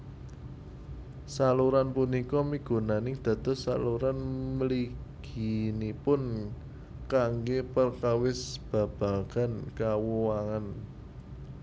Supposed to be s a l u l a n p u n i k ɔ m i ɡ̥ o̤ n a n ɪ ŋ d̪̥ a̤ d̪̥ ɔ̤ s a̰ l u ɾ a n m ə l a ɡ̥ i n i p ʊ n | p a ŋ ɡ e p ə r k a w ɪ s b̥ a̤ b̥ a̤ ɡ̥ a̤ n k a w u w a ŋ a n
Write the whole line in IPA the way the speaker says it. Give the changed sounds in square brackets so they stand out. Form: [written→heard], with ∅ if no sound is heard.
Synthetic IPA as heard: s a l u [l→ɾ] a n p u n i k ɔ m i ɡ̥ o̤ n a n ɪ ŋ d̪̥ a̤ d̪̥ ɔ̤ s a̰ l u ɾ a n m ə l [a→i] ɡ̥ i n i p ʊ n | [p→k] a ŋ ɡ e p ə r k a w ɪ s b̥ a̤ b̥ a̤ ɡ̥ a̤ n k a w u w a ŋ a n